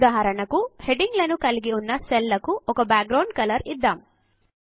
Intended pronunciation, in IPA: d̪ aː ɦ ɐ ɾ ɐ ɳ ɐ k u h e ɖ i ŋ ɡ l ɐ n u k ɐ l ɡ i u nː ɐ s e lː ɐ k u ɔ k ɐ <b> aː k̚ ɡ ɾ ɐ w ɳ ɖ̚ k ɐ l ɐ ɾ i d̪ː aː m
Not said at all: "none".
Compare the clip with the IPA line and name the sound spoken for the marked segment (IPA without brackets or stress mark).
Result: b